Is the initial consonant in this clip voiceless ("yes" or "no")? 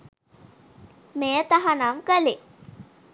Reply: no